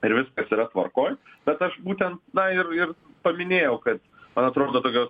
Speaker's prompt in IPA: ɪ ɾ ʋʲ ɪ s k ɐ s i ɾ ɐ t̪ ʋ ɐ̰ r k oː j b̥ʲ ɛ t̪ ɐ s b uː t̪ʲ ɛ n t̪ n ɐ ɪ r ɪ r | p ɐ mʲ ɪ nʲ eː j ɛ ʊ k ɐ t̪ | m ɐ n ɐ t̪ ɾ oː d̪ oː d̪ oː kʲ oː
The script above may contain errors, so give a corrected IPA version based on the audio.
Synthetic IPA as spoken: ɪ ɾ ʋʲ ɪ s k ɐ s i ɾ ɐ t̪ ʋ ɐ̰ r k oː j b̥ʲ ɛ t̪ ɐ ʃ b uː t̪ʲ ɛ n t̪ n ɐ ɪ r ɪ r | p ɐ mʲ ɪ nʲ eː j ɛ ʊ k ɐ t̪ | m ɐ n ɐ t̪ ɾ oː d̪ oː t̪ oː kʲ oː